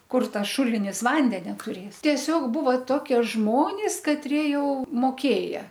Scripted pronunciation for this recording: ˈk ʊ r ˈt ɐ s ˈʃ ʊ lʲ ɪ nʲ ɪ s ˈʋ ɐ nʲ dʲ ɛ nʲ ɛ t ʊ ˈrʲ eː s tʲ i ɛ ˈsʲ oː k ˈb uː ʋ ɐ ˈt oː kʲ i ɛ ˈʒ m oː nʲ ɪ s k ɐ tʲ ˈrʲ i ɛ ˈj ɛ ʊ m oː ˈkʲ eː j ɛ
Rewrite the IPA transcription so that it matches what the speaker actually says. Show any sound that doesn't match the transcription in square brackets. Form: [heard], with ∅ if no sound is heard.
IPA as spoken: ˈk ʊ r ˈt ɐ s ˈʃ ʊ lʲ ɪ nʲ ɪ s ˈʋ ɐ nʲ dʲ ɛ nʲ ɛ t ʊ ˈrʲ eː s tʲ i ɛ ˈsʲ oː k ˈb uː ʋ ɐ ˈt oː kʲ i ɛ ˈʒ m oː nʲ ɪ s k ɐ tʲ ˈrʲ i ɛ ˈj ɛ ʊ m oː ˈkʲ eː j ɛ